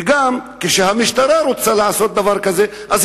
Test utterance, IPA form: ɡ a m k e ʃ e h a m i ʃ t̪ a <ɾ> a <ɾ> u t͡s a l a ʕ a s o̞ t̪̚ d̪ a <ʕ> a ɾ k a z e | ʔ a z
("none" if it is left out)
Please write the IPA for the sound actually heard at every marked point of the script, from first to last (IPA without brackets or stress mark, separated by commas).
ɾ, ɾ, v